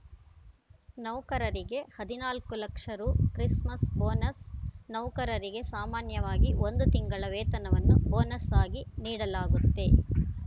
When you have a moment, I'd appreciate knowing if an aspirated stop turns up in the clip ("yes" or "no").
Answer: no